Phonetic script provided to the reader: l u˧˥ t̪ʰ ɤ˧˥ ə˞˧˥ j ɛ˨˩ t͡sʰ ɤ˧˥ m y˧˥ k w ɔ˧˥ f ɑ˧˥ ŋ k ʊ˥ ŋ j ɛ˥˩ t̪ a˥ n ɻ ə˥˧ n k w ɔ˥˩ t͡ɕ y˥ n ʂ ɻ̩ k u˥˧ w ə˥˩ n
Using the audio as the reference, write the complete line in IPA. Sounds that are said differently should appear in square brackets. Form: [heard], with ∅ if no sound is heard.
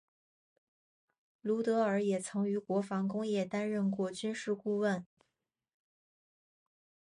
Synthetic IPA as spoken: l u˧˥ [t̪] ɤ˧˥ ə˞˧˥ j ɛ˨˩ t͡sʰ ɤ˧˥ [ŋ] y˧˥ k w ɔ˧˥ f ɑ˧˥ ŋ k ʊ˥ ŋ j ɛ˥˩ t̪ a˥ n ɻ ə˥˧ n k w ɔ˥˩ t͡ɕ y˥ n ʂ ɻ̩ k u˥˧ w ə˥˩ n